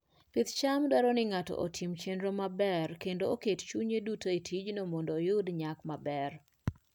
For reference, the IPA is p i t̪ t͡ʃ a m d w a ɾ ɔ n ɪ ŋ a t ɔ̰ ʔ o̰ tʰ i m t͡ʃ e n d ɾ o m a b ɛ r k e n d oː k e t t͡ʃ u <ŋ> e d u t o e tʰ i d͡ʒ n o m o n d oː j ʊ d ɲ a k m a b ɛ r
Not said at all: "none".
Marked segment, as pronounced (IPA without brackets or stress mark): ɲ